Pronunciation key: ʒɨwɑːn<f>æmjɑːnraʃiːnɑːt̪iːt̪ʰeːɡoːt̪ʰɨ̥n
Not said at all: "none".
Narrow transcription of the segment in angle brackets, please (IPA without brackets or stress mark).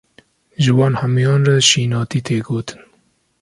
h